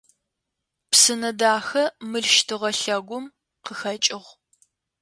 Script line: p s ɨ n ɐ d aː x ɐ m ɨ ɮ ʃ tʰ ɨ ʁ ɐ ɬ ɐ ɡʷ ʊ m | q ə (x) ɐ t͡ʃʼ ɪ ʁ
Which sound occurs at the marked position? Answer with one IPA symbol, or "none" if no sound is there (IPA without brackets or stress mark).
x